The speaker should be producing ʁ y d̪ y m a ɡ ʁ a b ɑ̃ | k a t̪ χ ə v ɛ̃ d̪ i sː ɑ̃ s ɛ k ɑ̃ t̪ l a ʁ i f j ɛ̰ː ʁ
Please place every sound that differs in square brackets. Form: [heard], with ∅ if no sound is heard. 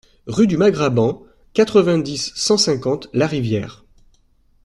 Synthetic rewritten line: ʁ y d̪ y m a ɡ ʁ a b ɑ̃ | k a t̪ χ ə v ɛ̃ d̪ i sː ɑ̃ s [ɛ̃] k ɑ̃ t̪ l a ʁ i [v] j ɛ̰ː ʁ